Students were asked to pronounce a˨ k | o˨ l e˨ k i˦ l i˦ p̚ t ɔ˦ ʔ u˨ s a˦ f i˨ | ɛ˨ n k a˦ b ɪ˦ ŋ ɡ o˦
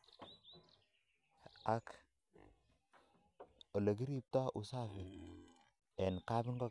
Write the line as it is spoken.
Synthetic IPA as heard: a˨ k | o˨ l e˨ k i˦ ɾ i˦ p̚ t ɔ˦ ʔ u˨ s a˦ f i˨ | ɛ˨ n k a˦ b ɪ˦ ŋ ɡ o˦

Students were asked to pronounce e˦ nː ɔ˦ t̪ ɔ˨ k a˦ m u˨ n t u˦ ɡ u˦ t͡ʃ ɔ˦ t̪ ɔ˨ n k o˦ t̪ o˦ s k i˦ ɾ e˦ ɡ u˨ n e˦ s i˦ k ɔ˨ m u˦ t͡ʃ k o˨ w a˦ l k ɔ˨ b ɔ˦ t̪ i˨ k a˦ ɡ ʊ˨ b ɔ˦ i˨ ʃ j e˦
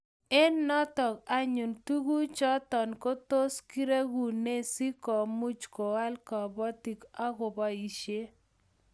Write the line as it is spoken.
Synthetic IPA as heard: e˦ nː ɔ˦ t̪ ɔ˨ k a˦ ɲ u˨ n t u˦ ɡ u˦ t͡ʃ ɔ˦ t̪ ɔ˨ n k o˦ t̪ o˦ s k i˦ ɾ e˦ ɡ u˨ n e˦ s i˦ k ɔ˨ m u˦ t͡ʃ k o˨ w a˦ l k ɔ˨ b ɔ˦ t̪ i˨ k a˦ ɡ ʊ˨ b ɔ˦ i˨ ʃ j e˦

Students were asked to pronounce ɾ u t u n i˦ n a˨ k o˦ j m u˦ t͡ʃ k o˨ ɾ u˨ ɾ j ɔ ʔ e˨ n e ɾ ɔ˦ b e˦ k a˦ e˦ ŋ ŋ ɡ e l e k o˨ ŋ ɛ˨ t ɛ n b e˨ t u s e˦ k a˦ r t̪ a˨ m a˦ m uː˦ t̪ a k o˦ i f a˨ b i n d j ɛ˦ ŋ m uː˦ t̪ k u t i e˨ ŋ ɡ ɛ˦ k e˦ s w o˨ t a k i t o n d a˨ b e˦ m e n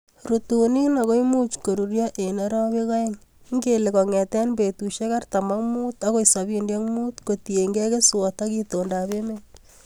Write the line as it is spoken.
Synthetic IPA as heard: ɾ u t u n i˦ n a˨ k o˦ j m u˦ t͡ʃ k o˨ ɾ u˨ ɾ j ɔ ʔ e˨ n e ɾ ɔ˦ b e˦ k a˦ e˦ ŋ ŋ ɡ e l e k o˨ ŋ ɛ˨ t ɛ n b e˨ t u ʃ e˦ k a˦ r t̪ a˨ m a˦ m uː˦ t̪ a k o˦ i s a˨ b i n d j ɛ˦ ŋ m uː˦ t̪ k o t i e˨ ŋ ɡ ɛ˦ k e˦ s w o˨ t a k i t o n d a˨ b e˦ m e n

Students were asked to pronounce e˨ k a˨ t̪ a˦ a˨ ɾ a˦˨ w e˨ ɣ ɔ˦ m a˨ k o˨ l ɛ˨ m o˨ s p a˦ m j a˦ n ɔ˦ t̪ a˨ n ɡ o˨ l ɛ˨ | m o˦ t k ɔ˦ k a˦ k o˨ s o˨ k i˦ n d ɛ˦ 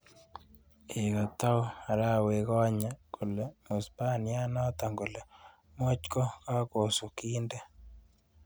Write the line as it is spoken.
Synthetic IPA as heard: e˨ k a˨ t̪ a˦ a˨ ɾ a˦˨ w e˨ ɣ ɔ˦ ɲ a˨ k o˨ l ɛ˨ m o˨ s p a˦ n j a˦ n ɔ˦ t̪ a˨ ŋ ɡ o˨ l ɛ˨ | m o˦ t͡ʃ k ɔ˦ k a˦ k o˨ s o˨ k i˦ n d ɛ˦

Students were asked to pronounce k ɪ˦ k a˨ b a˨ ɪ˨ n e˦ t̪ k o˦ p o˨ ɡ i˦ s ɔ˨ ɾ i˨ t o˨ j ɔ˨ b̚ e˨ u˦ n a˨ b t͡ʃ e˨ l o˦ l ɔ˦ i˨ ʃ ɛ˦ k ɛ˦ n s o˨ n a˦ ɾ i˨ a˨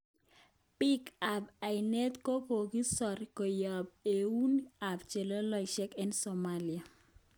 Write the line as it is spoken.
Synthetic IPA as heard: p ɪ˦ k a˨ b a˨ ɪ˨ n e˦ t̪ k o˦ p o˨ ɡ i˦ s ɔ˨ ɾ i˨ k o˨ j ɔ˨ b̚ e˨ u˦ n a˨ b t͡ʃ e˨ l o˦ l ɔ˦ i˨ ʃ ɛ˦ k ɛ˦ n s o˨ m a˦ l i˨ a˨

